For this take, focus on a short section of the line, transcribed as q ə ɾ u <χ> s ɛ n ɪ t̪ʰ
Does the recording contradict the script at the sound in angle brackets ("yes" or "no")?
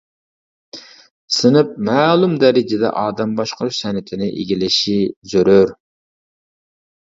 yes